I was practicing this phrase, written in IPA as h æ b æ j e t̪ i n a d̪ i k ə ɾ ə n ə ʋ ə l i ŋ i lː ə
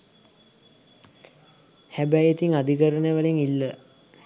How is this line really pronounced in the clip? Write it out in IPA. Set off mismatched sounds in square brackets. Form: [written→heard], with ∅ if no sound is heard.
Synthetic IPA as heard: h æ b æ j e t̪ i [n→ŋ] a d̪ i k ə ɾ ə n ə ʋ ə l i ŋ i lː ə